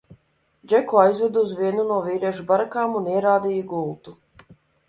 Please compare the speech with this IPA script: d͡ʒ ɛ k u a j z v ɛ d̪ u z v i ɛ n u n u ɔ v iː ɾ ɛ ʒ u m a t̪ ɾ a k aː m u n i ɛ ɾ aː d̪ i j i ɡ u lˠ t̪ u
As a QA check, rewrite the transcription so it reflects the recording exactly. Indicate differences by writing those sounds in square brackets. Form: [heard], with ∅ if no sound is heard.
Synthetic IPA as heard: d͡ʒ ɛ k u a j z v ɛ d̪ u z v i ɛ n u n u ɔ v iː ɾ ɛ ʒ u [b] a [∅] ɾ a k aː m u n i ɛ ɾ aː d̪ i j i ɡ u lˠ t̪ u